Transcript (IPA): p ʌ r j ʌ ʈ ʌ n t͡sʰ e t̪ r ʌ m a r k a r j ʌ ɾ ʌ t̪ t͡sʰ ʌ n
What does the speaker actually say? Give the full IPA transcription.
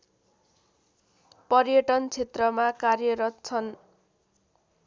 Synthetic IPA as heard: p ʌ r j ʌ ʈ ʌ n t͡sʰ e t̪ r ʌ m a k a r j ʌ ɾ ʌ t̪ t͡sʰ ʌ n